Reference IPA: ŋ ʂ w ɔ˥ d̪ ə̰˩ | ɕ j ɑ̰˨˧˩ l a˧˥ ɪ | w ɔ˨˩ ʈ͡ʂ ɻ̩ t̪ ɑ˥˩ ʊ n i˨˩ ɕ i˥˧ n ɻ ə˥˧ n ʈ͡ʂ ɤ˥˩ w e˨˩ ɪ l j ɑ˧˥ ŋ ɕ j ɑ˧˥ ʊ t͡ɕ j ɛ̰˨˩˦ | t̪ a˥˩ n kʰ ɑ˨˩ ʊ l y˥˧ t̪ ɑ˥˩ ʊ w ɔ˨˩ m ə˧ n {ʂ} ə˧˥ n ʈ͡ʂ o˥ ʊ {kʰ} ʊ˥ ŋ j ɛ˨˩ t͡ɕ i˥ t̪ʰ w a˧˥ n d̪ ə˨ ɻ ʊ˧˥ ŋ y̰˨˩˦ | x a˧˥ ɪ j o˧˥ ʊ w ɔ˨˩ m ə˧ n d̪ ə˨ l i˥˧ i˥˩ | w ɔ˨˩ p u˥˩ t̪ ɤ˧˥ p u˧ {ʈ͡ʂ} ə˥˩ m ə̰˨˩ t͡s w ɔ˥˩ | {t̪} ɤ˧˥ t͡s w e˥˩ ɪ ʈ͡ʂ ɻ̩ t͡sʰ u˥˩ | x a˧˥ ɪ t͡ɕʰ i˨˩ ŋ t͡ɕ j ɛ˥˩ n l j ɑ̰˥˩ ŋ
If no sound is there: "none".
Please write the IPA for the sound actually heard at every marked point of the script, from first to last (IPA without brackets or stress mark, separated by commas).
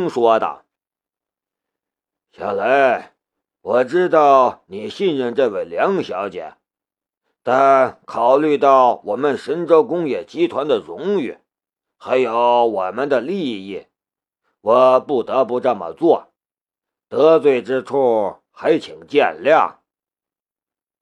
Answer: ʂ, k, ʈ͡ʂ, t̪